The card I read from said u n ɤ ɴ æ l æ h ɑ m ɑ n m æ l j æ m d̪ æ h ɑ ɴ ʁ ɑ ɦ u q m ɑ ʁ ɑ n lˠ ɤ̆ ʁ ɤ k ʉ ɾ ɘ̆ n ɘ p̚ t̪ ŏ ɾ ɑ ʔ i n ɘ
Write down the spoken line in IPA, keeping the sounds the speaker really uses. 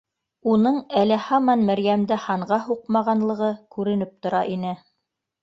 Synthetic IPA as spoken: u n ɤ ɴ æ l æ h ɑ m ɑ n m æ ɾ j æ m d̪ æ h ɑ ɴ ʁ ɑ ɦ u q m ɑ ʁ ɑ n lˠ ɤ̆ ʁ ɤ k ʉ ɾ ɘ̆ n ɘ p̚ t̪ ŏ ɾ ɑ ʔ i n ɘ